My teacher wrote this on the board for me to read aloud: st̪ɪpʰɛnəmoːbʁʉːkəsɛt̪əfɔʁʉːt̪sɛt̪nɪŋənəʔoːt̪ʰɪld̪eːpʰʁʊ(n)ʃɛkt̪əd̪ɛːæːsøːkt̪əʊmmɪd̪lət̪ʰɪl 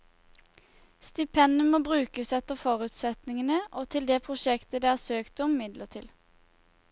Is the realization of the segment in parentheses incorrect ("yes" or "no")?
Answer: yes